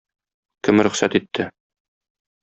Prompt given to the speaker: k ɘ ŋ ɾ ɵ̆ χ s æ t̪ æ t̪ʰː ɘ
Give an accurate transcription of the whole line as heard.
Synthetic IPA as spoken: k ɘ m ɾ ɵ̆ χ s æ t̪ i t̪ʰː ɘ